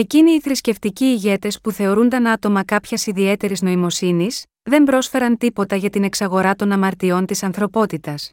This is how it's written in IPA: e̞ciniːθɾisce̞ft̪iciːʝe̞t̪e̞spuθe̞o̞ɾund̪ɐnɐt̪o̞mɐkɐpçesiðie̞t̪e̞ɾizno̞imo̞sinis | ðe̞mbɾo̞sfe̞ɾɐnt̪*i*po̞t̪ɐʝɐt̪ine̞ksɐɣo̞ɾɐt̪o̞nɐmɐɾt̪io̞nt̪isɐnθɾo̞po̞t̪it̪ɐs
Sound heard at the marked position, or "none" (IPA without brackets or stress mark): i